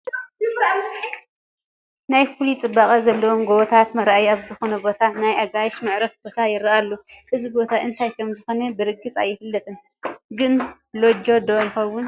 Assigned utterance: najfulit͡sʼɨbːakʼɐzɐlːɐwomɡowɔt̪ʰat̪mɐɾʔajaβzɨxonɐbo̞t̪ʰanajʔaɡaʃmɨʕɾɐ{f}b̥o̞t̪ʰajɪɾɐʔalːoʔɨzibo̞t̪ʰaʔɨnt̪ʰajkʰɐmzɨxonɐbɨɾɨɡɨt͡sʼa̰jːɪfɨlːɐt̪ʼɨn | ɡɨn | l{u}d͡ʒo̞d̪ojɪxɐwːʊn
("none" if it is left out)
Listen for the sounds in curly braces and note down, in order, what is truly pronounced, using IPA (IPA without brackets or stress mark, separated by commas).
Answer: f, o